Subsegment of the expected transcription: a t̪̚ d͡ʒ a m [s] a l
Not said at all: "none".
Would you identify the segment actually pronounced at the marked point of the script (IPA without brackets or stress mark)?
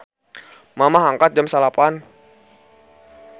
s